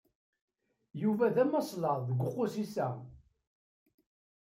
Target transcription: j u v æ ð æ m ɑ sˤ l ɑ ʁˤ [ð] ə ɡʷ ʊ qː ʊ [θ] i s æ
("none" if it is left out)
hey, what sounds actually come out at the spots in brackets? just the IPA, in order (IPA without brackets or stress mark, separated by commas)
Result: ð, s